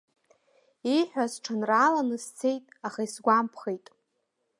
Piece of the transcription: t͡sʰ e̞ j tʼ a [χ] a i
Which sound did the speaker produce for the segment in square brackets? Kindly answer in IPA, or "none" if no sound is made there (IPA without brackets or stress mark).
χ